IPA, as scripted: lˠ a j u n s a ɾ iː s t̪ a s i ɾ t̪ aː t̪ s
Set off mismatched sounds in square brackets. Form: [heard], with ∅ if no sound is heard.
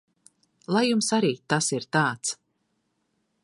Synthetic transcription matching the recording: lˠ a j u [m] s a ɾ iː [∅] t̪ a s i ɾ t̪ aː t̪ s